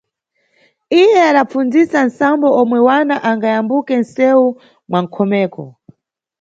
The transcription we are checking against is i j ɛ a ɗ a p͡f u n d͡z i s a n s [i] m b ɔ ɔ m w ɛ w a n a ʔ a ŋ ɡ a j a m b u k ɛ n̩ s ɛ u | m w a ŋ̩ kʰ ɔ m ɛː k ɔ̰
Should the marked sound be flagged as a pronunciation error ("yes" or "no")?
yes